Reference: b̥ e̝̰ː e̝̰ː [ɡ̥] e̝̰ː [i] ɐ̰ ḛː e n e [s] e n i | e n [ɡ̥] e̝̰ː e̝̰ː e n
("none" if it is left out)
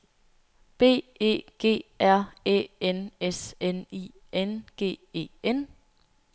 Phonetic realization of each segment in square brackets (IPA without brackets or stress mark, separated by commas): ɡ̥, æ, s, ɡ̥